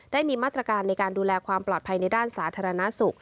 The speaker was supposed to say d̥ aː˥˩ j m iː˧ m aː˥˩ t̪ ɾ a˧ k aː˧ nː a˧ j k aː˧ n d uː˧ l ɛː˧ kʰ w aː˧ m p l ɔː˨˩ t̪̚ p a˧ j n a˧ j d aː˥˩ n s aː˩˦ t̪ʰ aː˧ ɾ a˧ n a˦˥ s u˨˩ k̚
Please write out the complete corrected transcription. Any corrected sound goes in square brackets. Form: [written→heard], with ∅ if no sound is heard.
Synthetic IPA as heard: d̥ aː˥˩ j m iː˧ m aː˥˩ t̪ ɾ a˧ k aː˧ nː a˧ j k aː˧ n d uː˧ l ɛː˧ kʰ w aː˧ m p l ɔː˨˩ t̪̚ [p→pʰ] a˧ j n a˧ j d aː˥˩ n s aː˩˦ t̪ʰ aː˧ ɾ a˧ n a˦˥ s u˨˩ k̚